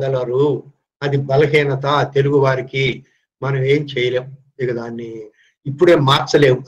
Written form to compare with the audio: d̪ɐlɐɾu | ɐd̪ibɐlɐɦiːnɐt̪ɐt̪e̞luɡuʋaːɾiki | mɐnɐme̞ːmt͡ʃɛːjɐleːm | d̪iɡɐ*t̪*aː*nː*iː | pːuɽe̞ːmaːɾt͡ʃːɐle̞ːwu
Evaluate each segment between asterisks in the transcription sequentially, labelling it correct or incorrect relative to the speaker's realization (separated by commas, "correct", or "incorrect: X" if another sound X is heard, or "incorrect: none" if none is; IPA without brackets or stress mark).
incorrect: d̪, correct